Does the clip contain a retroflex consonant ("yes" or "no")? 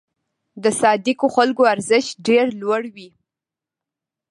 yes